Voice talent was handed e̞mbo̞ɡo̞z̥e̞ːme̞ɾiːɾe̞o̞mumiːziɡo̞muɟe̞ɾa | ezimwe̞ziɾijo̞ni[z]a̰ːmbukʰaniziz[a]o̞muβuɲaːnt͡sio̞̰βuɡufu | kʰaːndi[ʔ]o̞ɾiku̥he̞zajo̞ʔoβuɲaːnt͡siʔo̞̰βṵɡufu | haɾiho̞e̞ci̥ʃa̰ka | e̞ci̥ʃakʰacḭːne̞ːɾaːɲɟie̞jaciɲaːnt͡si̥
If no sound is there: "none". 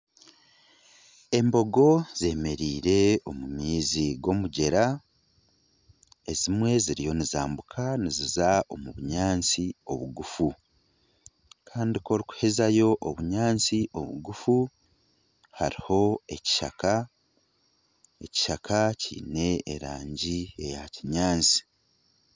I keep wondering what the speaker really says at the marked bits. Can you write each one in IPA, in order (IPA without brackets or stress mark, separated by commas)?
z, a, k